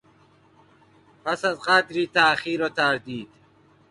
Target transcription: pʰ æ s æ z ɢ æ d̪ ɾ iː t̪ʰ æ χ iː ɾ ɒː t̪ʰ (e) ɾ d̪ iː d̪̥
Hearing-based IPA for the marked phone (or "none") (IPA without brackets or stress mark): æ